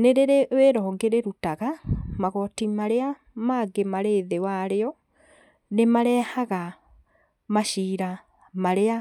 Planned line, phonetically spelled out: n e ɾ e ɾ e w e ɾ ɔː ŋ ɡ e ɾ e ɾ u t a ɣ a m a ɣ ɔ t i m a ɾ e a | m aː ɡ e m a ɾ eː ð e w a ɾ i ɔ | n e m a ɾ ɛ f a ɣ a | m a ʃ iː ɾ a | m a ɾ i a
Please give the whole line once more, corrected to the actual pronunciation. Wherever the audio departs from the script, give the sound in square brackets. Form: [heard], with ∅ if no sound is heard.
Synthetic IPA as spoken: n e ɾ e ɾ e w e ɾ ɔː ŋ ɡ e ɾ e ɾ u t a ɣ a m a ɣ ɔ t i m a ɾ e a | m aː ɡ e m a ɾ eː ð e w a ɾ [e] ɔ | n e m a ɾ ɛ [h] a ɣ a | m a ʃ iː ɾ a | m a ɾ [e] a

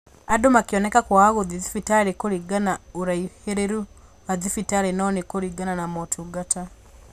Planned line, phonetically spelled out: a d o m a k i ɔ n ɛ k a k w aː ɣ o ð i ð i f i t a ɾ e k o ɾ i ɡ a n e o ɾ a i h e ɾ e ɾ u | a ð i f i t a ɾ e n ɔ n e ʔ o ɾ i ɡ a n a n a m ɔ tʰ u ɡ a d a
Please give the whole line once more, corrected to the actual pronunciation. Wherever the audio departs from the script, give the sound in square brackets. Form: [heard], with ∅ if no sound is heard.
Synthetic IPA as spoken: a d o m a k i ɔ n ɛ k a k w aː ɣ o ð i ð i f i t a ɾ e k o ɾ i ɡ a n [a] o ɾ a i h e ɾ e ɾ u | a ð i f i t a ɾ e n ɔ n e [k] o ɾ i ɡ a n a n a m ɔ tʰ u ɡ a [t] a

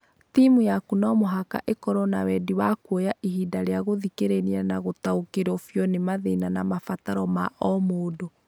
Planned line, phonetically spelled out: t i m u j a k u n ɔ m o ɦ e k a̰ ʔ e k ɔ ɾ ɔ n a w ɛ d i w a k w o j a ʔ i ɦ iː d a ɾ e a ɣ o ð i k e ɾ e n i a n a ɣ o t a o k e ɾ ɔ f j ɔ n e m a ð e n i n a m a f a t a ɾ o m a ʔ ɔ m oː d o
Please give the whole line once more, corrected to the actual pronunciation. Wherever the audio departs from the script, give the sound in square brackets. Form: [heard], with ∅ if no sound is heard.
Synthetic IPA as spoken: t i m u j a k u n ɔ m o ɦ [a] k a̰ ʔ e k ɔ ɾ ɔ n a w ɛ d i w a k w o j a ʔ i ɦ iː d a ɾ e a ɣ o ð i k e ɾ e n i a n a ɣ o t a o k e ɾ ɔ f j ɔ n e m a ð e n [a] n a m a f a t a ɾ [ɔ] m a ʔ ɔ m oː d o

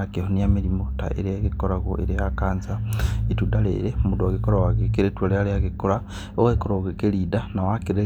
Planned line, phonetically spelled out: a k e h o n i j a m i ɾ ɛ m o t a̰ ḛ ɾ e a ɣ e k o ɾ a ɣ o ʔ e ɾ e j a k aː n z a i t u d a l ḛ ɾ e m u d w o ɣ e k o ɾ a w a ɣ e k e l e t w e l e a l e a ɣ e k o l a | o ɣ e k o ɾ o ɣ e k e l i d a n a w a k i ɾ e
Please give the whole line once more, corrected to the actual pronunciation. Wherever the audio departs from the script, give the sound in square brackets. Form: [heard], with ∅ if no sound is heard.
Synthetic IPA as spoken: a k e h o n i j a m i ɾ [i] m o t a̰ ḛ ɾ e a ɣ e k o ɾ a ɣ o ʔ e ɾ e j a k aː n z a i t u d a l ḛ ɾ e m u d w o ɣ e k o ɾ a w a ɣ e k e [ɾ] e t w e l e a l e a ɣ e k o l a | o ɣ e k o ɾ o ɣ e k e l i d a n a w a k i ɾ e

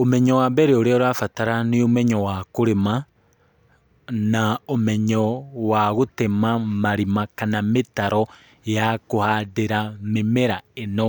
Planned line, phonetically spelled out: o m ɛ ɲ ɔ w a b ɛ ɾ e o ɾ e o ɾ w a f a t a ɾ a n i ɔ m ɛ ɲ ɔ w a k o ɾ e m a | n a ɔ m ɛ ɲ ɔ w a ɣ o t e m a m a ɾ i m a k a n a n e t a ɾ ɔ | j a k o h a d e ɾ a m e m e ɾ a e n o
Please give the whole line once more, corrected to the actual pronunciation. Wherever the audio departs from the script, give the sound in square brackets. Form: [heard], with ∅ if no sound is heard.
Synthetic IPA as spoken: o m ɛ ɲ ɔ w a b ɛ ɾ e o ɾ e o ɾ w a f a t a ɾ a n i [o] m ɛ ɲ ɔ w a k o ɾ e m a | n a [o] m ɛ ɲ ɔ w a ɣ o t e m a m a ɾ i m a k a n a [m] e t a ɾ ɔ | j a k o h a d e ɾ a m e m e ɾ a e n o

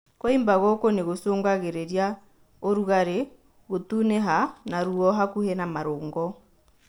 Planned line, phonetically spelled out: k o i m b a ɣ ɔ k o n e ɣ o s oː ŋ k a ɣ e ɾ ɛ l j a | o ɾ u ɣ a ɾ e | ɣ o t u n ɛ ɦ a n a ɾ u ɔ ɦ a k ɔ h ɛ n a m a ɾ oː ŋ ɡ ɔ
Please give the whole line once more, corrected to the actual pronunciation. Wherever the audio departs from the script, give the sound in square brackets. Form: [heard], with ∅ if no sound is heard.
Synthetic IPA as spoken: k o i m b a ɣ ɔ k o n e ɣ o s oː ŋ [ɡ] a ɣ e ɾ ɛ [ɾ] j a | o ɾ u ɣ a ɾ e | ɣ o t u n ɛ ɦ a n a ɾ u ɔ ɦ a k [u] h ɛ n a m a ɾ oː ŋ ɡ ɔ

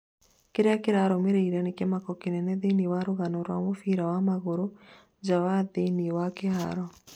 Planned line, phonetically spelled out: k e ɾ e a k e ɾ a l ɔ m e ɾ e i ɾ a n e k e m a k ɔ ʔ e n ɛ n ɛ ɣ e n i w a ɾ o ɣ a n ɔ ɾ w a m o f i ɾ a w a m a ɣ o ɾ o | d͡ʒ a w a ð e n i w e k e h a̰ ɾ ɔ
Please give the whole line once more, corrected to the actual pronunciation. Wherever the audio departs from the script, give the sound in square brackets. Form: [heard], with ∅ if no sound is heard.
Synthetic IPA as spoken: k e ɾ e a k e ɾ a [ɾ] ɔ m e ɾ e i ɾ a n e k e m a k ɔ [k] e n ɛ n ɛ [ð] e n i w a ɾ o ɣ a n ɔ ɾ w a m o f i ɾ a w a m a ɣ o ɾ o | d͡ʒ a w a ð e n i w [a] k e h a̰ ɾ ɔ

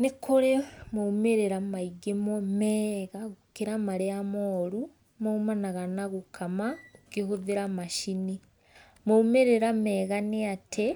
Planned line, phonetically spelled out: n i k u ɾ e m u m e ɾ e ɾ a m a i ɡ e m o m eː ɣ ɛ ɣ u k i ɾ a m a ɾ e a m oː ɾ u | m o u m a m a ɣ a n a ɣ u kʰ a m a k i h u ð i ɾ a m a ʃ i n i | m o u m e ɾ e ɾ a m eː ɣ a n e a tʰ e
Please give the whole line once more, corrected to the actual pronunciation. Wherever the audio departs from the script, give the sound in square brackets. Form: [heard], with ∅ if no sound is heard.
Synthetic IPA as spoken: n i k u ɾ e m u m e ɾ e ɾ a m a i ɡ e m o m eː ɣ [a] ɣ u k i ɾ a m a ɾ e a m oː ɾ u | m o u m a [n] a ɣ a n a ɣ u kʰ a m a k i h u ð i ɾ a m a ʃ i n i | m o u m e ɾ e ɾ a m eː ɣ a n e a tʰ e

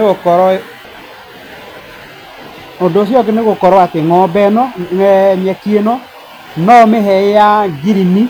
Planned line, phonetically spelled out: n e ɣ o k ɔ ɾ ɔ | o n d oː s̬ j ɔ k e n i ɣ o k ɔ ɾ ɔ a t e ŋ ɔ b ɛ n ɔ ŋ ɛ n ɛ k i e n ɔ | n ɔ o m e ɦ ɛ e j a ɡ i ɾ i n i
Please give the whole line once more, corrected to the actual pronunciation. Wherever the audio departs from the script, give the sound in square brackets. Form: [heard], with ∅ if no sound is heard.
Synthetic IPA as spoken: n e ɣ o k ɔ ɾ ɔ | o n d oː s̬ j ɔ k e n [e] ɣ o k ɔ ɾ ɔ a t e ŋ ɔ b ɛ n ɔ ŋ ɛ [ɲ] ɛ k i e n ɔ | n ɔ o m e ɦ ɛ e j a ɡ i ɾ i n i

